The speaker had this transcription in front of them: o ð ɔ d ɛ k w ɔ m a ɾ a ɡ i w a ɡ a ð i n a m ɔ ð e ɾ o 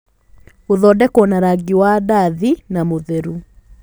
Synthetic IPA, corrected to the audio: o ð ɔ d ɛ k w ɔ n a ɾ a ɡ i w a d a ð i n a m o ð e ɾ u